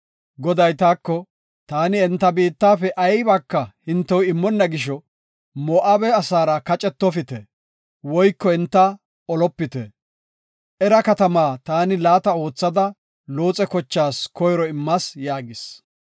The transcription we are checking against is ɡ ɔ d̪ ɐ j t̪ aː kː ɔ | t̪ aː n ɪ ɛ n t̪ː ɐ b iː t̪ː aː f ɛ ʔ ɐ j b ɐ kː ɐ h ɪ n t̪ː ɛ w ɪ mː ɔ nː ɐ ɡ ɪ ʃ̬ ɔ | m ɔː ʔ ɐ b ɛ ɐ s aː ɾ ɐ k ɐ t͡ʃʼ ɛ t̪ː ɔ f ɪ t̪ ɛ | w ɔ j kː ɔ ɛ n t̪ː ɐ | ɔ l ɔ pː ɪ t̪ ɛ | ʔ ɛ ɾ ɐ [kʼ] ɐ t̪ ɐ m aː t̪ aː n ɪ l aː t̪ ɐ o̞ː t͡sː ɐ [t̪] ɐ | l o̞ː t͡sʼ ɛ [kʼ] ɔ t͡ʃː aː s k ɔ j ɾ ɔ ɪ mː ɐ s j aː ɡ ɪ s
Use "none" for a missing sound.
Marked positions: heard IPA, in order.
k, d̪, k

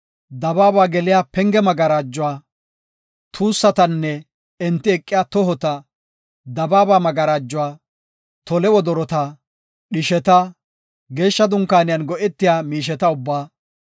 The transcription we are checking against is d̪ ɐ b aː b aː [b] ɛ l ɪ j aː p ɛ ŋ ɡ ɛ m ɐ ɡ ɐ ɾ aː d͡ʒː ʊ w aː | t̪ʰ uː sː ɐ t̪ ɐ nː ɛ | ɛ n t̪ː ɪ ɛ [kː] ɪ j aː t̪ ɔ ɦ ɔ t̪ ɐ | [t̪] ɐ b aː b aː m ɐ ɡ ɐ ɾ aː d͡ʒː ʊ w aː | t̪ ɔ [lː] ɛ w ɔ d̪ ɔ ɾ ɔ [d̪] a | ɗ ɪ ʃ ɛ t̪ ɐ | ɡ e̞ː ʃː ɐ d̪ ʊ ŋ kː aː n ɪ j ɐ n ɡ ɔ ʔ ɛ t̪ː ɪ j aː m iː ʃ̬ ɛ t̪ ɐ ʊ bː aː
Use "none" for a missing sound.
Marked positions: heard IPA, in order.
ɡ, kʼː, d̪, l, t̪

